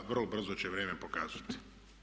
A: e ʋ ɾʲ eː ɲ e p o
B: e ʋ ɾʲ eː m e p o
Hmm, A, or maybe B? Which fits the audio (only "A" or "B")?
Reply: B